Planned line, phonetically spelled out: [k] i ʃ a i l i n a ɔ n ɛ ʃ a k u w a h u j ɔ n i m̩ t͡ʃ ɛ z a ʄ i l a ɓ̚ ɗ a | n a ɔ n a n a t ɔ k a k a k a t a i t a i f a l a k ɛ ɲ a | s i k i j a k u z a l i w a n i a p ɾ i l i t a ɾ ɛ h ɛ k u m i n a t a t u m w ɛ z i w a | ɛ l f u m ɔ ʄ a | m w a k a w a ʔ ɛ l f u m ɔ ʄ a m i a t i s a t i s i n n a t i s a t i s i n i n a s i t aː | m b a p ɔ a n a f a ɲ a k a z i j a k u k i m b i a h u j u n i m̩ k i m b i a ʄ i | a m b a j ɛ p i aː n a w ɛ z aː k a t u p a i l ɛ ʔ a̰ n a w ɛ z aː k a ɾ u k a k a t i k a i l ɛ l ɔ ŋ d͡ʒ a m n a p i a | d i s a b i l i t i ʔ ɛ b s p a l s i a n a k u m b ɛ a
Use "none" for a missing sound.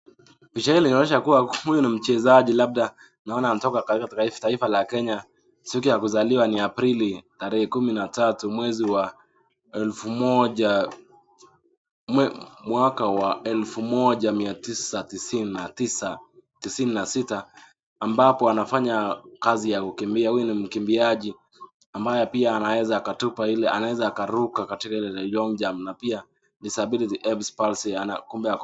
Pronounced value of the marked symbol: p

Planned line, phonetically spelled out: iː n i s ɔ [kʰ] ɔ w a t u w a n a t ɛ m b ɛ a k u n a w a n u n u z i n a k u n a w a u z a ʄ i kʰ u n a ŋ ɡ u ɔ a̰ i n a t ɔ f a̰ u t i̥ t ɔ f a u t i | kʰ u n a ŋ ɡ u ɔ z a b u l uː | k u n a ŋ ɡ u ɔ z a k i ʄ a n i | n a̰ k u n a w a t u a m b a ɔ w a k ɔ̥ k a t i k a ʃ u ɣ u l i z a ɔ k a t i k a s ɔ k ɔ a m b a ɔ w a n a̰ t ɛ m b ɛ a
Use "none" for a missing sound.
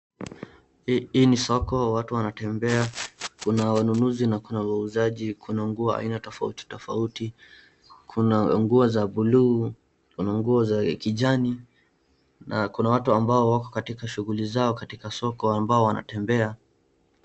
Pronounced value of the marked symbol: k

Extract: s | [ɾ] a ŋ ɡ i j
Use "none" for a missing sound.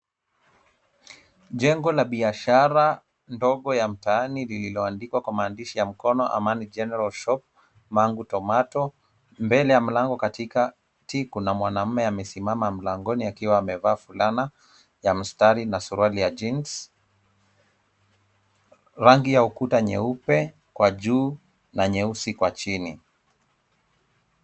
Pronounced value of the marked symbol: ɾ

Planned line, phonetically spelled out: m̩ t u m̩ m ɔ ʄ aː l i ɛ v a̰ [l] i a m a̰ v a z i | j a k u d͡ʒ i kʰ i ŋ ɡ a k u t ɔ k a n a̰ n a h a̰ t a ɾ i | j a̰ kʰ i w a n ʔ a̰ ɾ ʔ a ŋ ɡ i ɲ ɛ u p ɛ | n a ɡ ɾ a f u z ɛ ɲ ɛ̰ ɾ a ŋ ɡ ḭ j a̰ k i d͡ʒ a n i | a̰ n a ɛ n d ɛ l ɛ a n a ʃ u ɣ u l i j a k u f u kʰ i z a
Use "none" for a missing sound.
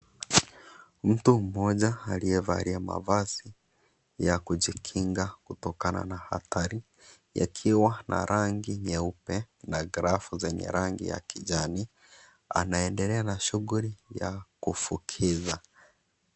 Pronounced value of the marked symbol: ɾ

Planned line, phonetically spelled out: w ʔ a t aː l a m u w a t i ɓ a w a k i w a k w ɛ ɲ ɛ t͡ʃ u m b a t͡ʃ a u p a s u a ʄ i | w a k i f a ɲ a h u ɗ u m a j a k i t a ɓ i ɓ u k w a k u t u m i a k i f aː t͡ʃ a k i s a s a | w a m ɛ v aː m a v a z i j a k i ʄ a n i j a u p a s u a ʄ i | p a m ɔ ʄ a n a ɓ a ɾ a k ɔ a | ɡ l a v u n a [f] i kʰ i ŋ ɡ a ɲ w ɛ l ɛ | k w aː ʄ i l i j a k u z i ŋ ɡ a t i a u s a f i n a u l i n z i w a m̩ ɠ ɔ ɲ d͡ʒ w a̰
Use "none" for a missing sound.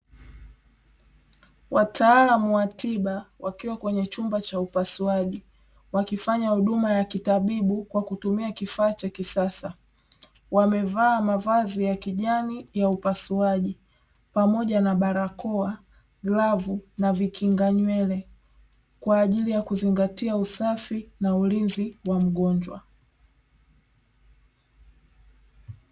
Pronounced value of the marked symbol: v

